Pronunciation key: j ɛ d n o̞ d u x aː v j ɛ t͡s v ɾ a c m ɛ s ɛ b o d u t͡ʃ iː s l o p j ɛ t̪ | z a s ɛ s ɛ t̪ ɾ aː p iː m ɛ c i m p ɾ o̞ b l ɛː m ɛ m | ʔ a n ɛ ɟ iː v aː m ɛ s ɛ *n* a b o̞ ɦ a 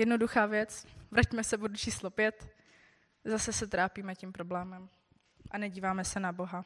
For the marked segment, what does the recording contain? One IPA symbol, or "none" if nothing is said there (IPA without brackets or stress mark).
n